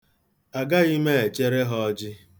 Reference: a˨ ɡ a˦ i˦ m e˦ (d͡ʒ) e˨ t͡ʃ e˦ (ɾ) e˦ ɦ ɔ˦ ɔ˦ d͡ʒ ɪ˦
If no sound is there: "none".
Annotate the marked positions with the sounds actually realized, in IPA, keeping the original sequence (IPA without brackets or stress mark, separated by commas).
none, ɾ